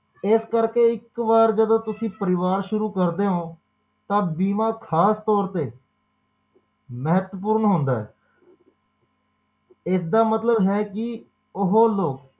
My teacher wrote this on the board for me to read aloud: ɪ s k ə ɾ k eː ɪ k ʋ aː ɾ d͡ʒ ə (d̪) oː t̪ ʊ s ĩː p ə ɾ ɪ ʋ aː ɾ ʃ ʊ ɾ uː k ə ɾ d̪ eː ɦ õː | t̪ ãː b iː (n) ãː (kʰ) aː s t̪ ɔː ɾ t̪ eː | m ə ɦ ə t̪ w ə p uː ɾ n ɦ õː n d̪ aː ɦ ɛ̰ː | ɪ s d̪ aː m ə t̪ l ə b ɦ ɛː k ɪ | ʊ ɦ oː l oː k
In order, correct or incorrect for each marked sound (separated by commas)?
correct, incorrect, correct